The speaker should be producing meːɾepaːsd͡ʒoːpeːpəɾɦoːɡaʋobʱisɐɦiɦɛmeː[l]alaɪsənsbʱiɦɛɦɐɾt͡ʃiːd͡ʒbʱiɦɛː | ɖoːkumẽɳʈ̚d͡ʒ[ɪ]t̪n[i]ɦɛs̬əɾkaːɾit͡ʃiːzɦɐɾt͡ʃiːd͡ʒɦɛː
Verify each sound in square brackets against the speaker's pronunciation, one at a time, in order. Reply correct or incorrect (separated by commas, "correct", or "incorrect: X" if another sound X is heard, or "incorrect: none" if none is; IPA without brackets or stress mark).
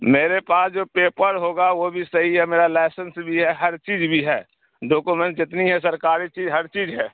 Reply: incorrect: ɾ, correct, correct